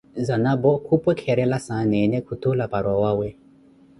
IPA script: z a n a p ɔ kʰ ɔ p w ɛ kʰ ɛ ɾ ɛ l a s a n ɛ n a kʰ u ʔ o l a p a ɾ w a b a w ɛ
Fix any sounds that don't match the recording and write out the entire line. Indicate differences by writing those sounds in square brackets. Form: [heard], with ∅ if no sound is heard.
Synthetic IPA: z a n a [b] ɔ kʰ [u] p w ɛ kʰ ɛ ɾ ɛ l a s a n ɛ n [ɛ] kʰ u [t] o l a p a ɾ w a [w] a w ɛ